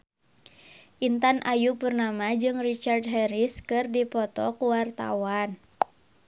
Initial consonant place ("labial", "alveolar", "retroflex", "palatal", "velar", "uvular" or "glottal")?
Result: glottal